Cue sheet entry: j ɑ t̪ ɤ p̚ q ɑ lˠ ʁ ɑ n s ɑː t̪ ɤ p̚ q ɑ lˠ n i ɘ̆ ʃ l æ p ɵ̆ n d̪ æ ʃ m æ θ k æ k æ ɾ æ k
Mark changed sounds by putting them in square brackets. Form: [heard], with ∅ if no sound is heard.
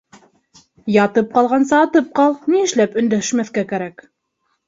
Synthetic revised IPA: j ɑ t̪ ɤ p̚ q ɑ lˠ ʁ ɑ n s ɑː t̪ ɤ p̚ q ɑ lˠ n i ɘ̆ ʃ l æ p ɵ̆ n d̪ æ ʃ m æ θ k æ k æ ɾ æ k